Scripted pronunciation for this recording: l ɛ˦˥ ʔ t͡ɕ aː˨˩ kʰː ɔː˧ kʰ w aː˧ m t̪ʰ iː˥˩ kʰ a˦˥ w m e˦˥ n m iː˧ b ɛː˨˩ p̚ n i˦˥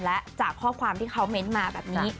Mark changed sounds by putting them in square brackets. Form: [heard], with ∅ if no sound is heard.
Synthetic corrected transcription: l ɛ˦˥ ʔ t͡ɕ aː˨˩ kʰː [ɔː˥˩] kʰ w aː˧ m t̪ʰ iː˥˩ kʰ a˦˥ w m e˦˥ n m [aː˧] b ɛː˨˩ p̚ n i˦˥